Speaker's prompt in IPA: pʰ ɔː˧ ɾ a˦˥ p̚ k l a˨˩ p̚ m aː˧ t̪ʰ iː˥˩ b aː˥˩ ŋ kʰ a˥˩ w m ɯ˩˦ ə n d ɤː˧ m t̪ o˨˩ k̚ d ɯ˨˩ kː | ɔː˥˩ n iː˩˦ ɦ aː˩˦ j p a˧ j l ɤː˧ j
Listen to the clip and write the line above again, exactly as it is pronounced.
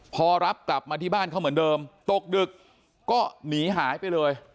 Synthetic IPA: pʰ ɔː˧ ɾ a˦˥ p̚ k l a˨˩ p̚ m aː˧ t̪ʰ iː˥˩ b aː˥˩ n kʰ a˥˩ w m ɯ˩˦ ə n d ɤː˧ m t̪ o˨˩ k̚ d ɯ˨˩ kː | ɔː˥˩ n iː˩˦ ɦ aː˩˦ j p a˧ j l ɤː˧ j